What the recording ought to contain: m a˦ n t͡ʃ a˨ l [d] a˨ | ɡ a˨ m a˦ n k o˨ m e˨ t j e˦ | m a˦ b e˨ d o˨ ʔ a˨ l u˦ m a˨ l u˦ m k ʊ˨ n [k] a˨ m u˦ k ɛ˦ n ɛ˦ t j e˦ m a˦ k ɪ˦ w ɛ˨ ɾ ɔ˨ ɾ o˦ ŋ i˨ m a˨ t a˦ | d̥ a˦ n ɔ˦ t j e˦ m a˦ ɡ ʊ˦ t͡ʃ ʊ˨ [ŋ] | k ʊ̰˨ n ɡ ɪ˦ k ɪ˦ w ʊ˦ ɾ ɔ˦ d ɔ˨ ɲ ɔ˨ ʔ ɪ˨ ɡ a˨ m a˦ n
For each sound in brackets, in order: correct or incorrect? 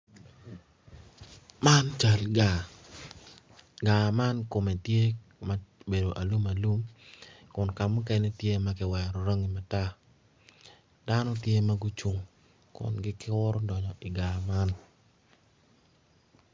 incorrect: ɡ, correct, correct

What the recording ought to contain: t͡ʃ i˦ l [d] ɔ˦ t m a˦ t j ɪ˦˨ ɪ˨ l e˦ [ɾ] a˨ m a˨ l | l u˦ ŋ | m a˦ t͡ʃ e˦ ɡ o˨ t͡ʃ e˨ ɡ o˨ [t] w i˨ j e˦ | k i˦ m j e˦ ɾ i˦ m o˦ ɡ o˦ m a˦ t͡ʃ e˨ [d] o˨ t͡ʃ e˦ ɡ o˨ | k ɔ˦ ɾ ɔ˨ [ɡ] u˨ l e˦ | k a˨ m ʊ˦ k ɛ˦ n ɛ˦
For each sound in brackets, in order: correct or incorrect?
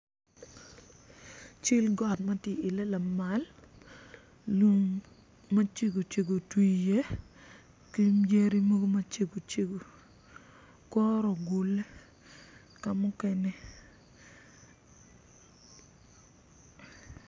incorrect: ɡ, incorrect: l, correct, incorrect: ɡ, correct

